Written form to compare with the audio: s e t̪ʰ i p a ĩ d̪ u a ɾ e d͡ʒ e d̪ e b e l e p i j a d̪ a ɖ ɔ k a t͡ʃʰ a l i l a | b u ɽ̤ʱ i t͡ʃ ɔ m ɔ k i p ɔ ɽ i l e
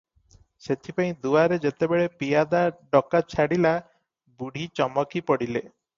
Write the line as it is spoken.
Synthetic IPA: s e t̪ʰ i p a ĩ d̪ u a ɾ e d͡ʒ e t̪ e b e ɭ e p i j a d̪ a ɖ ɔ k a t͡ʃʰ a ɽ i l a | b u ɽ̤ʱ i t͡ʃ ɔ m ɔ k i p ɔ ɽ i l e